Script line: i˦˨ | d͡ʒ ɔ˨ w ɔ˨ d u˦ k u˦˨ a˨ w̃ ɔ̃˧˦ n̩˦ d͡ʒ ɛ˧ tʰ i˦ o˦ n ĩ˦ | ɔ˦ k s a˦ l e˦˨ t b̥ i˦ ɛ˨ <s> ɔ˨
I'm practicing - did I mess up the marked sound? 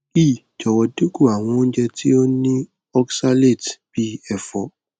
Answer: yes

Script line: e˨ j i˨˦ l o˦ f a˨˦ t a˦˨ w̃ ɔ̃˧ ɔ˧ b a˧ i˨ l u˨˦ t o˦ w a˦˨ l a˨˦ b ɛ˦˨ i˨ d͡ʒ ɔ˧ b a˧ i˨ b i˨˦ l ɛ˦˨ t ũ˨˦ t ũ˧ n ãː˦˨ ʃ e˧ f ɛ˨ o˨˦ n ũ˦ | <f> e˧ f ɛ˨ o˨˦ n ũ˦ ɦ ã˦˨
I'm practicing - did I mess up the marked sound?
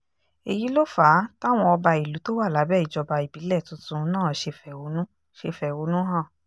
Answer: yes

